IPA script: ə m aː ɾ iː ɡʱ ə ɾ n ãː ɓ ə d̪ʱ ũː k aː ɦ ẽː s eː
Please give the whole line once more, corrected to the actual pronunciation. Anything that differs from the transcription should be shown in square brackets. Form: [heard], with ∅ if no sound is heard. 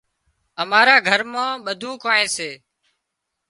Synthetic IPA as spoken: ə m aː ɾ [aː] ɡʱ ə ɾ [m] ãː ɓ ə d̪ʱ ũː k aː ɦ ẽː s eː